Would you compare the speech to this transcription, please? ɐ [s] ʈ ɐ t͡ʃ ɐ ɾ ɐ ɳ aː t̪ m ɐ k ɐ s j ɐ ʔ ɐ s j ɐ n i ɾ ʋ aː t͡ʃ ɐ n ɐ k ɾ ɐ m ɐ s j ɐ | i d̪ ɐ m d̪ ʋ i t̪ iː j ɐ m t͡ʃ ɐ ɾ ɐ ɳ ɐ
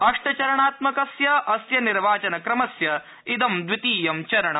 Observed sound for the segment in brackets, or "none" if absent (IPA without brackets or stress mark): ʂ